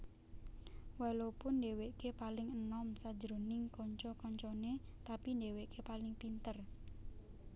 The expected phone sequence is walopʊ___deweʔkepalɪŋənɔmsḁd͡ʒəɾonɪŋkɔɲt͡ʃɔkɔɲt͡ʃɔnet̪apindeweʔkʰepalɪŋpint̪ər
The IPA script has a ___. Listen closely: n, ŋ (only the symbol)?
n